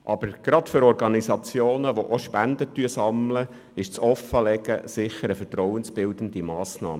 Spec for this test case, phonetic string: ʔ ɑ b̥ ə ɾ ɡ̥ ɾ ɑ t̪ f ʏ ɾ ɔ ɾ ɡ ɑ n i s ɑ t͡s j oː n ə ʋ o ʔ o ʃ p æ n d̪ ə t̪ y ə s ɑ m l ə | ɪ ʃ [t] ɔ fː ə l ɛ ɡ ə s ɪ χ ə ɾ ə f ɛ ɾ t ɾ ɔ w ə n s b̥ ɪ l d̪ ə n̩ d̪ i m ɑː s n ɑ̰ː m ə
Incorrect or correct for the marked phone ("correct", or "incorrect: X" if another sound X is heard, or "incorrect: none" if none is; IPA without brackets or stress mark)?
incorrect: t͡s